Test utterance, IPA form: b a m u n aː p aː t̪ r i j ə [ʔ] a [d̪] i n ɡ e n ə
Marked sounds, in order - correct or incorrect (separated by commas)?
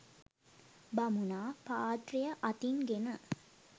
correct, incorrect